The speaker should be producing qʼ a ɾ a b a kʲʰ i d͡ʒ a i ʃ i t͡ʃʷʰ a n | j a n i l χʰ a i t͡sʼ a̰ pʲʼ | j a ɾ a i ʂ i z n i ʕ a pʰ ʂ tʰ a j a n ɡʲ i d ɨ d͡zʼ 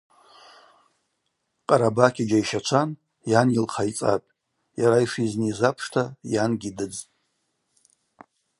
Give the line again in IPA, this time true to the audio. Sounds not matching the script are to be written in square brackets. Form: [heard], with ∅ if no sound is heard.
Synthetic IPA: qʼ a ɾ a b a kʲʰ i d͡ʒ a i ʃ [a] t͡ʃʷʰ a n | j a n i l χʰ a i t͡sʼ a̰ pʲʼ | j a ɾ a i ʂ i z n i [z] a pʰ ʂ tʰ a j a n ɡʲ i d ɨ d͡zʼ